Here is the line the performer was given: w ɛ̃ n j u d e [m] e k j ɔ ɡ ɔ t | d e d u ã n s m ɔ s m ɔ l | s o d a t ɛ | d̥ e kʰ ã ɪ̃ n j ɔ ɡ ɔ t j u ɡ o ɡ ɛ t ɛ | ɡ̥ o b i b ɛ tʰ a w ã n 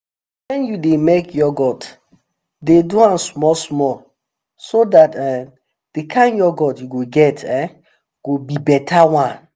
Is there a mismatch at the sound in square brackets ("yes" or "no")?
no